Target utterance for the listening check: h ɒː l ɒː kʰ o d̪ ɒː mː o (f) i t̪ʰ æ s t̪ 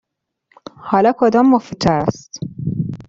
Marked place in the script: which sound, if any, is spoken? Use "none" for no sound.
f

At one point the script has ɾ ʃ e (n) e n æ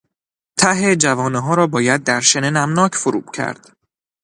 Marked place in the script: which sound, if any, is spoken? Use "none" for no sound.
n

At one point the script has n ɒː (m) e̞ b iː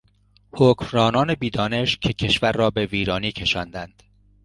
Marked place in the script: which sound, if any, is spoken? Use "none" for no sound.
n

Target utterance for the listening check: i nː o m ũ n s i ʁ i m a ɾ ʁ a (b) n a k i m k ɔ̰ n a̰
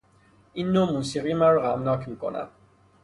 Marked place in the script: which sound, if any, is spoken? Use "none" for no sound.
m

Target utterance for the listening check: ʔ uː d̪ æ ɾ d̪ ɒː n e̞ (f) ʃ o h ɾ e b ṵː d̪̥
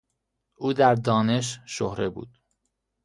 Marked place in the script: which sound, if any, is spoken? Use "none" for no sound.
ʃ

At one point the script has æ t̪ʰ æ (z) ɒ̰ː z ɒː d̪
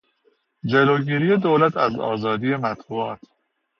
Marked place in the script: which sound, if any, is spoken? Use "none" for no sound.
z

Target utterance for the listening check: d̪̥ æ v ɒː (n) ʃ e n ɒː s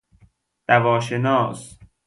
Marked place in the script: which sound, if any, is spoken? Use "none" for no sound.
none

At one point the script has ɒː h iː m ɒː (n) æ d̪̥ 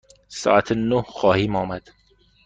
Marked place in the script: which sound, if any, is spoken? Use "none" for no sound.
m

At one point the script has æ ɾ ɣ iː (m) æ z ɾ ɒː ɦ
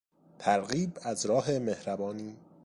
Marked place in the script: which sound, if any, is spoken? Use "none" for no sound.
b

